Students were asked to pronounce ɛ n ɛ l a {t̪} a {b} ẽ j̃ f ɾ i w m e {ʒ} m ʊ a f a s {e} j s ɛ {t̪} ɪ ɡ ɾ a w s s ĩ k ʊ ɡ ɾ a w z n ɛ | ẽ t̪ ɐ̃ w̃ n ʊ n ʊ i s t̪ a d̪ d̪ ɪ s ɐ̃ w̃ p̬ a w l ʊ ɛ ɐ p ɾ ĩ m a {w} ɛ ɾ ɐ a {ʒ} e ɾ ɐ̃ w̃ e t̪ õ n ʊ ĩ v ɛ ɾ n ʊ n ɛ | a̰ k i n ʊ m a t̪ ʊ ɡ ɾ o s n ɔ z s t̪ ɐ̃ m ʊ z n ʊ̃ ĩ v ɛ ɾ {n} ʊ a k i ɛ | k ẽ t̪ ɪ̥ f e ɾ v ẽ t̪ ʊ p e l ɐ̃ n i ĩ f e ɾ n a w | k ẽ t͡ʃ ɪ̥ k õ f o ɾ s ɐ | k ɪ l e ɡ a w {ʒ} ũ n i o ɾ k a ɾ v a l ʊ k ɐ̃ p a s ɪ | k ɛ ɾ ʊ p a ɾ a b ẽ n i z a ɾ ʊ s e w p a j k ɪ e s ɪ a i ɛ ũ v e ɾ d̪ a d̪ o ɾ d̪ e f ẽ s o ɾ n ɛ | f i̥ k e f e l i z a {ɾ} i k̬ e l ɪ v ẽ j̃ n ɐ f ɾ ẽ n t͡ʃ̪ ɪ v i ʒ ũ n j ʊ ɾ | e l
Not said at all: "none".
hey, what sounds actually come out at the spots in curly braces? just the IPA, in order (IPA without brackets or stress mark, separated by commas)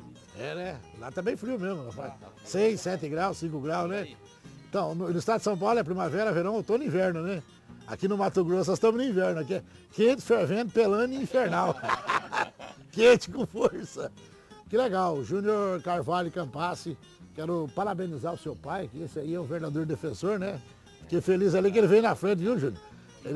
t̪, b, z, e, t̪, v, v, n, ʒ, l